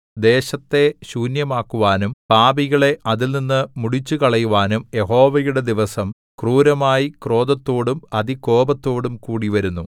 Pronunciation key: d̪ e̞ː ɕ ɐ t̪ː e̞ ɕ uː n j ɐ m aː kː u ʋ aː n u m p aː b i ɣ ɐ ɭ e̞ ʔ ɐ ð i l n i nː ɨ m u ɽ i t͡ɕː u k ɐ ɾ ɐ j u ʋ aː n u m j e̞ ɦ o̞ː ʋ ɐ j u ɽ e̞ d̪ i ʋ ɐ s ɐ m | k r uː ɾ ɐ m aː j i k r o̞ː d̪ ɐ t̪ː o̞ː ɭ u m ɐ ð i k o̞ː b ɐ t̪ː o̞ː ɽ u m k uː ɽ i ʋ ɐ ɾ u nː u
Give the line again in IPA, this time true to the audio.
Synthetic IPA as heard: d̪ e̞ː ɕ ɐ t̪ː e̞ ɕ uː n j ɐ m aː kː u ʋ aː n u m p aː b i ɣ ɐ ɭ e̞ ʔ ɐ ð i l n i nː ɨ m u ɽ i t͡ɕː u k ɐ ɭ ɐ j u ʋ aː n u m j e̞ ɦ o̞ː ʋ ɐ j u ɽ e̞ d̪ i ʋ ɐ s ɐ m | k r uː ɾ ɐ m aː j i k r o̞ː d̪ ɐ t̪ː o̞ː ɽ u m ɐ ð i k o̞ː b ɐ t̪ː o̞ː ɽ u m k uː ɽ i ʋ ɐ ɾ u nː u